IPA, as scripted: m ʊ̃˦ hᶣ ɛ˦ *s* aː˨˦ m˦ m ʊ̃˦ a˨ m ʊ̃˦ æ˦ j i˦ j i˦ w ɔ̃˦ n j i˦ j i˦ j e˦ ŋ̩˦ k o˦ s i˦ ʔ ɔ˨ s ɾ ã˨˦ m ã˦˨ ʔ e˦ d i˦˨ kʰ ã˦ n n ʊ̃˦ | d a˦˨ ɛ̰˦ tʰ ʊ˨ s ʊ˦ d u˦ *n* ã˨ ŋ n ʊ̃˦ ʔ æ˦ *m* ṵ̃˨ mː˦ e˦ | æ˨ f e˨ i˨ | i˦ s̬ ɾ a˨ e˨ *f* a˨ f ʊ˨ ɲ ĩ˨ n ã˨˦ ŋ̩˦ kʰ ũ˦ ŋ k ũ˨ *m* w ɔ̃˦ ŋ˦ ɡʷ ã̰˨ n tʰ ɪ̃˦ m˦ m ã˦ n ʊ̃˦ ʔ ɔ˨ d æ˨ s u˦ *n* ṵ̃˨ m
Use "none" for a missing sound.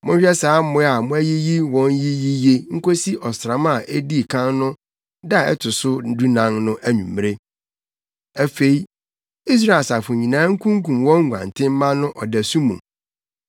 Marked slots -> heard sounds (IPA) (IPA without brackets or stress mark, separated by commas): s, n, ɲ, s, m, m